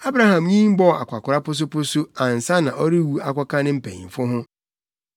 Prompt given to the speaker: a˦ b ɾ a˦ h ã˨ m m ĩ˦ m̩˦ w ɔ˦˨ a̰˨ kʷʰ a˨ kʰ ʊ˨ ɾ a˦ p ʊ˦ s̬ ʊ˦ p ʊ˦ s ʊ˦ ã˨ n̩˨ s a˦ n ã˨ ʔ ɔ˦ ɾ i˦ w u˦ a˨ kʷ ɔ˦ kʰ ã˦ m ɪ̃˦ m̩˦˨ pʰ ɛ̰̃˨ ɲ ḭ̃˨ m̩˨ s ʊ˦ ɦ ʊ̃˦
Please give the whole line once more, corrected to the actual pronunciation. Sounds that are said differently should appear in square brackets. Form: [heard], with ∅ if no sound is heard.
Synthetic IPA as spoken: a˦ b ɾ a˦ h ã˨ m [ɲ] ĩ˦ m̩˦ [b] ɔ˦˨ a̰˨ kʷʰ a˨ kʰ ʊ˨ ɾ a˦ p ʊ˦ s̬ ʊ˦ p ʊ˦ s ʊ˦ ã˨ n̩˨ s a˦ n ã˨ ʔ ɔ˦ ɾ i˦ w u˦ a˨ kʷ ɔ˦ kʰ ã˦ [n] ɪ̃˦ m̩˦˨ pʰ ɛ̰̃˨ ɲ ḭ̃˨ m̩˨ [f] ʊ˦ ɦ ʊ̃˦